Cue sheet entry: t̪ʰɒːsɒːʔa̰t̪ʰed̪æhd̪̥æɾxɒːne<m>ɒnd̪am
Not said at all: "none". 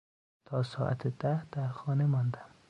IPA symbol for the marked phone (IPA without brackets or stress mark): m